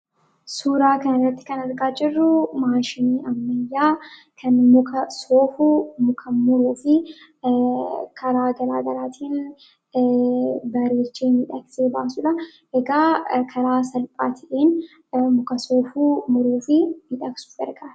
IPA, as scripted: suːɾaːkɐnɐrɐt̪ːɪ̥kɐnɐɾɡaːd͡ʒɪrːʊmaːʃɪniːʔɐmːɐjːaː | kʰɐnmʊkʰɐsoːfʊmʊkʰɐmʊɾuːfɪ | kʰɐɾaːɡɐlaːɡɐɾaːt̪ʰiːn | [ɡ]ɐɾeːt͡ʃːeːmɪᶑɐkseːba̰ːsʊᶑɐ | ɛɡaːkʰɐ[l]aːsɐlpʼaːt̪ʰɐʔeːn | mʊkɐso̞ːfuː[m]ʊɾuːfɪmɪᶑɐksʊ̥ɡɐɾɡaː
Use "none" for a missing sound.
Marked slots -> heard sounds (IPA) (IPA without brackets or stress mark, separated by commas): b, ɾ, m